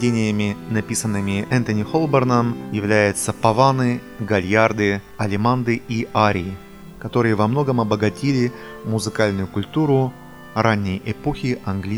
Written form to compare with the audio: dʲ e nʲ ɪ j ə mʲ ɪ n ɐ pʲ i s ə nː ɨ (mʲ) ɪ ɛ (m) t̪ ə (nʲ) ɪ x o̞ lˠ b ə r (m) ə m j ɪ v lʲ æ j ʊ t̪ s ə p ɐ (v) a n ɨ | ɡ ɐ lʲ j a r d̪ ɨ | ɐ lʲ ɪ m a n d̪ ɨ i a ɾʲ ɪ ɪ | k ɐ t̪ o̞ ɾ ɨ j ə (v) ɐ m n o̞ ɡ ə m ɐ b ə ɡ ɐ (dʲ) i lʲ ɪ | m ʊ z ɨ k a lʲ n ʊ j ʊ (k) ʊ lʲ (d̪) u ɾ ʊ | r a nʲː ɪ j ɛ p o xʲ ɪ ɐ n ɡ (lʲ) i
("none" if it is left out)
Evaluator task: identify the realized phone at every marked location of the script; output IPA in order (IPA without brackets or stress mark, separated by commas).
mʲ, n, nʲ, n, v, v, tʲ, k, t̪, lʲ